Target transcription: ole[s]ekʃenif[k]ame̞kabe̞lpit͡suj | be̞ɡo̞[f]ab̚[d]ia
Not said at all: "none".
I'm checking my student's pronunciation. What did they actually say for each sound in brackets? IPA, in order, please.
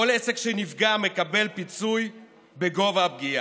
s, ɡ, v, ɡ

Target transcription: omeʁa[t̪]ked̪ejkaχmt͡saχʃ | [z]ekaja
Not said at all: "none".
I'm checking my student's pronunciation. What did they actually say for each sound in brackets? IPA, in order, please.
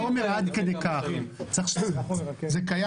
d̪, z

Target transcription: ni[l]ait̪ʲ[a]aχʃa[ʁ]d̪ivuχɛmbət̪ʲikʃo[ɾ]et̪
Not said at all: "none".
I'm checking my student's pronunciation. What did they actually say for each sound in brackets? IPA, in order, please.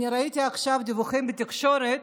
ɾ, i, v, ɾ

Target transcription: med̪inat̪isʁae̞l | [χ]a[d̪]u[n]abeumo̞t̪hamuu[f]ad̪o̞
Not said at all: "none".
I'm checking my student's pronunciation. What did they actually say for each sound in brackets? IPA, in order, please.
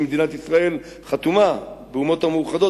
χ, t̪, m, χ

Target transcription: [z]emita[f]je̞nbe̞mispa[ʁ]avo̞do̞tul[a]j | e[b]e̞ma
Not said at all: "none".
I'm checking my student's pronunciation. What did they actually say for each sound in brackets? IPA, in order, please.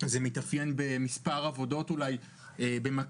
z, f, ʁ, a, b

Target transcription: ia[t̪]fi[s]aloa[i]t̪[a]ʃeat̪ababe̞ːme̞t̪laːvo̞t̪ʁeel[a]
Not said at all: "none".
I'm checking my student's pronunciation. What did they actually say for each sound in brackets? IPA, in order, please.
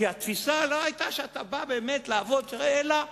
t̪, s, j, a, a

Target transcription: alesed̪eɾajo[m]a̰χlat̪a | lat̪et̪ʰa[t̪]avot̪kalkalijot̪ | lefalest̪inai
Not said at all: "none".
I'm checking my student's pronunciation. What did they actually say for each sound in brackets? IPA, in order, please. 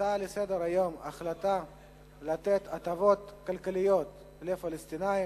m, t̪

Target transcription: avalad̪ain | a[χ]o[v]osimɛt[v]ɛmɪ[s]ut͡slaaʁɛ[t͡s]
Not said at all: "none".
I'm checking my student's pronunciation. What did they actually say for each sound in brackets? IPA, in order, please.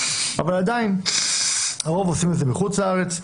ʁ, v, z, χ, t͡s

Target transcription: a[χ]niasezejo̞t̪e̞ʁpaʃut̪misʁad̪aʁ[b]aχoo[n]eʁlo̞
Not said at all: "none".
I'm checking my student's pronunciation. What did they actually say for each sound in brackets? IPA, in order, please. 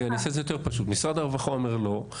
none, v, m

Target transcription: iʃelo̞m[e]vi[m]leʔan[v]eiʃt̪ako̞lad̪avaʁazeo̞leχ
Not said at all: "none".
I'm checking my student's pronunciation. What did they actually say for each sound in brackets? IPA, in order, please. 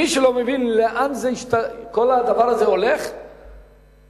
e, n, z

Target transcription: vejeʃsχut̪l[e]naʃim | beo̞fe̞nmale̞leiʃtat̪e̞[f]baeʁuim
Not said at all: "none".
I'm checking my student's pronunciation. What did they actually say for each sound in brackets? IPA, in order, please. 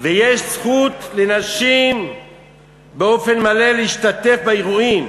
e, f

